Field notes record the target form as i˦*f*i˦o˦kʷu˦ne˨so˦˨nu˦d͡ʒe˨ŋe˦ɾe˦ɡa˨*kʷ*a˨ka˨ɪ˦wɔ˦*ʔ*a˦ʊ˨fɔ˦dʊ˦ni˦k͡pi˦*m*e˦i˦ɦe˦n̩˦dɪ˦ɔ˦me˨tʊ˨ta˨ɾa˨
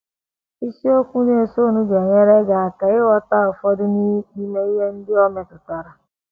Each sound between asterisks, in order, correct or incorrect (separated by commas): incorrect, incorrect, incorrect, correct